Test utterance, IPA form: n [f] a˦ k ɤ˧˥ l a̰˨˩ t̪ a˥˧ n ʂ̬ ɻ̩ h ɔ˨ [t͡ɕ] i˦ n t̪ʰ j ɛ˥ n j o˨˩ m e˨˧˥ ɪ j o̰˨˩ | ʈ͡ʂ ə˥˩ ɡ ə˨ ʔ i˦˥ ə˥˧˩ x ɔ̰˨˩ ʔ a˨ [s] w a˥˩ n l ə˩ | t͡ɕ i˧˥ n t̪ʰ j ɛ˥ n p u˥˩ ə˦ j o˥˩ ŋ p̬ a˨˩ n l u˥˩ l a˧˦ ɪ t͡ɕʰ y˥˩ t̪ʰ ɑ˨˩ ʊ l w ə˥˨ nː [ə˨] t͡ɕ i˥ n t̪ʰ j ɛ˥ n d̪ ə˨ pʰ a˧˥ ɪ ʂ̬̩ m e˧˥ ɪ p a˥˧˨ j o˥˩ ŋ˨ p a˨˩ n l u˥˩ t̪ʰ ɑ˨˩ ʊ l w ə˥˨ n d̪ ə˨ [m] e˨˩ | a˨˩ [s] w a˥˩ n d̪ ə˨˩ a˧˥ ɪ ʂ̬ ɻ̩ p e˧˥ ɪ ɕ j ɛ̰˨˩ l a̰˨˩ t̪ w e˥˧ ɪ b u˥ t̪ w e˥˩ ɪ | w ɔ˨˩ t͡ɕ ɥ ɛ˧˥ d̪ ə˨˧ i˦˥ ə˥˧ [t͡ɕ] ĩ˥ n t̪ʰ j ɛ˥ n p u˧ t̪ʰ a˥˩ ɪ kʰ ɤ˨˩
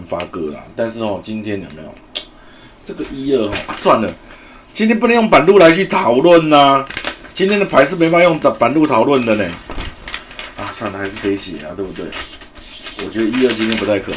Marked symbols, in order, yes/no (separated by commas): yes, yes, yes, no, no, yes, yes